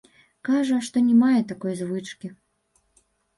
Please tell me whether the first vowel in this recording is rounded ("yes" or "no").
no